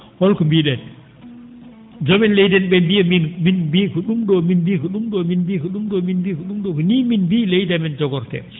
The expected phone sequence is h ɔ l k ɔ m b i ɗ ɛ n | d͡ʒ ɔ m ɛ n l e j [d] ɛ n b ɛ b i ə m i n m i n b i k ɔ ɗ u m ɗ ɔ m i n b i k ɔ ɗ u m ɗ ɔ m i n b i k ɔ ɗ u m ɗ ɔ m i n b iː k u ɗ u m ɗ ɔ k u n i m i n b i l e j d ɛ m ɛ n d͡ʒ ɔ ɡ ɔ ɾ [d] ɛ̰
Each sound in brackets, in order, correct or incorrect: correct, incorrect: t

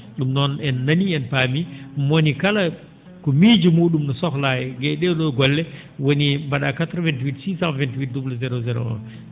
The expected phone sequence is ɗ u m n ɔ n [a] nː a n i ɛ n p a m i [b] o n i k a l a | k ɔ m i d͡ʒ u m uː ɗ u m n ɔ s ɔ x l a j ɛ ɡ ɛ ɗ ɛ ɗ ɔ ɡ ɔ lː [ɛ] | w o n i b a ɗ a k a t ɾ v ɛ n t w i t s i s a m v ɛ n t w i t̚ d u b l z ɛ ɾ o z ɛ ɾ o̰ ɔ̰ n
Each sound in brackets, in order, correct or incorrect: incorrect: ɛ, incorrect: m, correct

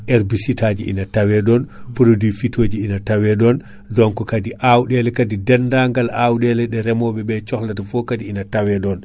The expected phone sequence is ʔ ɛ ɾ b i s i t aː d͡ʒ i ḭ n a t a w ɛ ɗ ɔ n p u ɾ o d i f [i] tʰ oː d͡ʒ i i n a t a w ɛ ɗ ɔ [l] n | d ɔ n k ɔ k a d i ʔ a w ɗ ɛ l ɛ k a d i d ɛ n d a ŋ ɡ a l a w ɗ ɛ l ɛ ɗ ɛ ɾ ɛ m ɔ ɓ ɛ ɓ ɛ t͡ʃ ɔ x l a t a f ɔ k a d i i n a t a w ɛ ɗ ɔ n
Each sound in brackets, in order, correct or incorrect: correct, incorrect: none

